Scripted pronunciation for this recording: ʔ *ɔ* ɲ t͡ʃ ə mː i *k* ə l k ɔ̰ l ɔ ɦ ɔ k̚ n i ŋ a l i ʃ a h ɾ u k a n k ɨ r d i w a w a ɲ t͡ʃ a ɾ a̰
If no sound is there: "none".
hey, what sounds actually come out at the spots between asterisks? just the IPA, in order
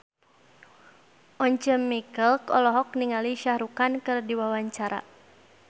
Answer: ɔ, k

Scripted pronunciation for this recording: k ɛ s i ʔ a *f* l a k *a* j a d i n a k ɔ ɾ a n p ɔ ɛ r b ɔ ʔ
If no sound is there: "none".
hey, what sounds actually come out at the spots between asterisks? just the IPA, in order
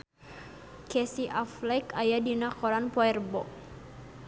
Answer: f, a

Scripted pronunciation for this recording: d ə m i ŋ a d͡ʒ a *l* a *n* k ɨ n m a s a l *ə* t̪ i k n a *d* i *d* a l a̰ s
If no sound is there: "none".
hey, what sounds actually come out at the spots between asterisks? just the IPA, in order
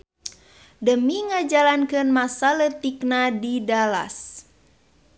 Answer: l, n, ə, d, d

